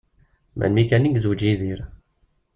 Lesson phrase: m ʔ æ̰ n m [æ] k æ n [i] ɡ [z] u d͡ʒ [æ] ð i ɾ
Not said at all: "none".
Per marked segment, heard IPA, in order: i, i, z, i

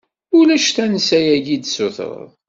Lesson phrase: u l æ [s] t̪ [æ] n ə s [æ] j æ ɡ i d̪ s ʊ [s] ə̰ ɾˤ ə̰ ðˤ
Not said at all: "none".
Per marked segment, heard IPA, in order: ʃ, æ, æ, θ

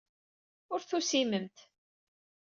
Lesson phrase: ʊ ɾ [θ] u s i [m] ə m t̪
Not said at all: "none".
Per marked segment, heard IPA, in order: θ, m

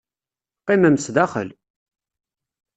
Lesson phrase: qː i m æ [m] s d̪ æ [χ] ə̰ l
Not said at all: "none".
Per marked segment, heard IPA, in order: m, χ

